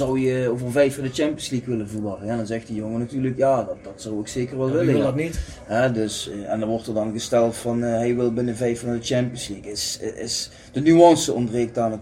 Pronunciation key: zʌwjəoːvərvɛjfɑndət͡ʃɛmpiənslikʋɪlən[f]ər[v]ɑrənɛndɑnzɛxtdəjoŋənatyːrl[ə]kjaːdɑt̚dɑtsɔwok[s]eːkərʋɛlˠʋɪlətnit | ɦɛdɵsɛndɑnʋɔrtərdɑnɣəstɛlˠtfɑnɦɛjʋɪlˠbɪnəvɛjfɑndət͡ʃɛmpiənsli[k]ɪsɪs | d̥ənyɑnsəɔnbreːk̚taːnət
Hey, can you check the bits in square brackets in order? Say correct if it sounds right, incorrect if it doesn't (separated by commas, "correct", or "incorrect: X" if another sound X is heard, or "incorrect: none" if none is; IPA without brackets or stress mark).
incorrect: v, incorrect: ʋ, correct, correct, correct